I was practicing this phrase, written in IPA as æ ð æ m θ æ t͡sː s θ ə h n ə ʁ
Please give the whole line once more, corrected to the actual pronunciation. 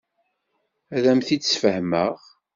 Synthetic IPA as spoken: æ ð æ m θ i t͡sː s f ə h m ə ʁ

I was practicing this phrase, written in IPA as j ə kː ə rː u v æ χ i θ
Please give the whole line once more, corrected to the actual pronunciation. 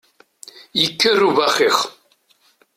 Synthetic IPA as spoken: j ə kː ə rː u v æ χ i χ

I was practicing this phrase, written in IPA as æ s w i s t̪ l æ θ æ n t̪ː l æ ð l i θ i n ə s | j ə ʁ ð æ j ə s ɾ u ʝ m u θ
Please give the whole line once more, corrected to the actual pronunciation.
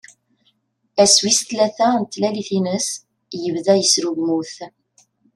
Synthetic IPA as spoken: æ s w i s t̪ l æ θ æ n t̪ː l æ l i θ i n ə s | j ə v ð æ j ə s ɾ u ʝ m u θ

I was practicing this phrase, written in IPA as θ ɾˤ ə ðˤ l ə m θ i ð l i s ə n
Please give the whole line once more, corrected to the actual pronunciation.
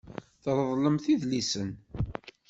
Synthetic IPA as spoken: θ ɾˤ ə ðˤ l ə m θ i ð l i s ə n

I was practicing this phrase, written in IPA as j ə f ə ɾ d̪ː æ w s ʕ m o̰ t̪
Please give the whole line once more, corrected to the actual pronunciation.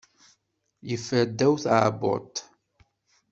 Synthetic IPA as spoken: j ə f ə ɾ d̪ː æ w θ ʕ b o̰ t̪

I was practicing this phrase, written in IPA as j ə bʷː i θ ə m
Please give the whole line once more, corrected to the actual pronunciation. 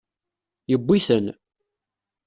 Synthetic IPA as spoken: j ə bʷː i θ ə n

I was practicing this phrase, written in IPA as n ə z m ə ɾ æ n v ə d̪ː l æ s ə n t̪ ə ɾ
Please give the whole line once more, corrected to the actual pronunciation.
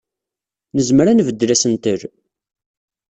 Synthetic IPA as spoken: n ə z m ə ɾ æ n v ə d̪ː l æ s ə n t̪ ə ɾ

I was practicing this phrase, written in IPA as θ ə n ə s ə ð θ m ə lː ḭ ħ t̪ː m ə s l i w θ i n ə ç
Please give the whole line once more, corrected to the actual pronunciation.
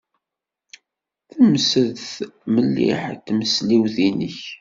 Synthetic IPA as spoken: θ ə m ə s ə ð θ m ə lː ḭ ħ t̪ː m ə s l i w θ i n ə ç

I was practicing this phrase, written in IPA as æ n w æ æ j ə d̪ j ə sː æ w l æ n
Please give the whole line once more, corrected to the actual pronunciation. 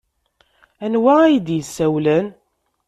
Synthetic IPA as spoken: æ n w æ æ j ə d̪ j ə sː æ w l æ n

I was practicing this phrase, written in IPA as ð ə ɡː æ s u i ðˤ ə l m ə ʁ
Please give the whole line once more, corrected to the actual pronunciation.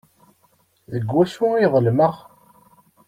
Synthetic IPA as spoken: ð ə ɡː æ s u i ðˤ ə l m ə ʁ

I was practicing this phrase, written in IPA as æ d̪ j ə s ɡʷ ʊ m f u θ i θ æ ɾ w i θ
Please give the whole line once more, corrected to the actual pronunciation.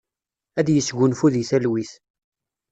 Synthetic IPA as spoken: æ d̪ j ə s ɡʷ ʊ n f u ð i θ æ l w i θ

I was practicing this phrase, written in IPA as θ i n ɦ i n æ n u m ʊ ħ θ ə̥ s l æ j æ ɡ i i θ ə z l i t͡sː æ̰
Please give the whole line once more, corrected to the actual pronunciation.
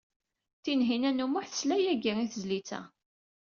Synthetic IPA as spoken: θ i n ɦ i n æ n u m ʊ ħ θ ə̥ s l æ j æ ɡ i i θ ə z l i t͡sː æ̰

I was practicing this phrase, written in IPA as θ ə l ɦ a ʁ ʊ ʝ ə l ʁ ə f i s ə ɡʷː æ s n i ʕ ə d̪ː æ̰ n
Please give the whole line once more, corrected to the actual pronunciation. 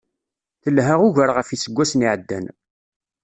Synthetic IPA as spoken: θ ə l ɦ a ʁ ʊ ʝ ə ɾ ʁ ə f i s ə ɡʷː æ s n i ʕ ə d̪ː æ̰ n

